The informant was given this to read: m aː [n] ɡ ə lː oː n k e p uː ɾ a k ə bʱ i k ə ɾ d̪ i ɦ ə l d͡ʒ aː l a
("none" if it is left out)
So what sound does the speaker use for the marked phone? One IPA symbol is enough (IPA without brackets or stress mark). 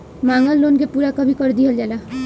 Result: ŋ